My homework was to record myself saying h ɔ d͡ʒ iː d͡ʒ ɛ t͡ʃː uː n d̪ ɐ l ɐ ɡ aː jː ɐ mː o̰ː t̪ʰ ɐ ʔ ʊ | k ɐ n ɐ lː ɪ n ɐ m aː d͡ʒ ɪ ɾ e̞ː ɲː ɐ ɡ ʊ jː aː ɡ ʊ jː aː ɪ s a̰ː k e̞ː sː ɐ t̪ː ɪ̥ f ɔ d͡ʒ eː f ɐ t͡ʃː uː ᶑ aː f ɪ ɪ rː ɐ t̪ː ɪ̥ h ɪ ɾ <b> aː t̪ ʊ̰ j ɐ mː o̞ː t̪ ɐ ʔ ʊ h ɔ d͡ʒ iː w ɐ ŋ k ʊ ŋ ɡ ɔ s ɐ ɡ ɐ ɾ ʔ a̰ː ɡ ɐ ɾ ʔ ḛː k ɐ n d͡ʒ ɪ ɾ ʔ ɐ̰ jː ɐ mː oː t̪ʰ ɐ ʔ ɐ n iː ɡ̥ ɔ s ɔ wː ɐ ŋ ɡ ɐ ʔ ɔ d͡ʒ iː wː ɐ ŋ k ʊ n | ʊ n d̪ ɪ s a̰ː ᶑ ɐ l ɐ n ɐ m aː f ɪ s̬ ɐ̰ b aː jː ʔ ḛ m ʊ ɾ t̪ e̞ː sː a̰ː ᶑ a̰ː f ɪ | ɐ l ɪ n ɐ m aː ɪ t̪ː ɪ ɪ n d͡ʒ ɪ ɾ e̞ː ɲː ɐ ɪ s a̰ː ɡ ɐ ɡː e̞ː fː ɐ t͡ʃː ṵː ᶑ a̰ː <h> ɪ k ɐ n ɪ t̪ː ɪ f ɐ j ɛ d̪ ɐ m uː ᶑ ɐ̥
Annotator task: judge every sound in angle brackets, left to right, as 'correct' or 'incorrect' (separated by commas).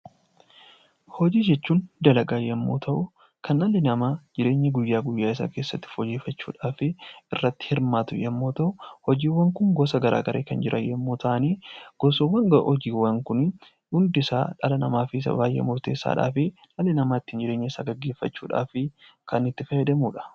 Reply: incorrect, incorrect